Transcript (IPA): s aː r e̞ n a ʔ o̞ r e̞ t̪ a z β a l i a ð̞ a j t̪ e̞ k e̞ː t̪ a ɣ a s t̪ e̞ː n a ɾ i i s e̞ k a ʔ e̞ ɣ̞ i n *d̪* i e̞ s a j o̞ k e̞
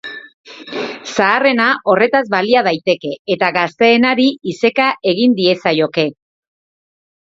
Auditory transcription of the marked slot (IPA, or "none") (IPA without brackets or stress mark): d̪